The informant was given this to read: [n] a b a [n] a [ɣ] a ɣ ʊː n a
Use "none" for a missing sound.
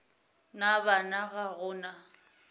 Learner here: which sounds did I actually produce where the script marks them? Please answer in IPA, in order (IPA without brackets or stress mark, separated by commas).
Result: n, n, ɣ